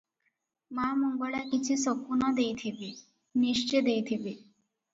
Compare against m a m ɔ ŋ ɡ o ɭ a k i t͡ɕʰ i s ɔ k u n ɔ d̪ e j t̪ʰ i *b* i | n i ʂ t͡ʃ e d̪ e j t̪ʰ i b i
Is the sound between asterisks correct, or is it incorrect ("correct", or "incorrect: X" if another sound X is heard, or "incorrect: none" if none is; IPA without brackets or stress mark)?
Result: correct